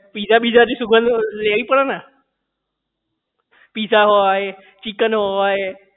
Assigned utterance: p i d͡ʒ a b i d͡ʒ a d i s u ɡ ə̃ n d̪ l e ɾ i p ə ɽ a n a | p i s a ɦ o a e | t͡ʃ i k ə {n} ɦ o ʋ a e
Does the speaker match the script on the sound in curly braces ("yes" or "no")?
yes